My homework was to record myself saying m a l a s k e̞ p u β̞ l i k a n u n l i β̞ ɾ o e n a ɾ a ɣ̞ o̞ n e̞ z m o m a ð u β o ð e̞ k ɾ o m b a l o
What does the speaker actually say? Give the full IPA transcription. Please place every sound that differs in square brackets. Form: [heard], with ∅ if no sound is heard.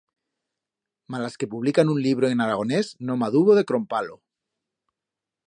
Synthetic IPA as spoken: m a l a s k e̞ p u β̞ l i k a n u n l i β̞ ɾ o e n a ɾ a ɣ̞ o̞ n e̞ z [n] o m a ð u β o ð e̞ k ɾ o m [p] a l o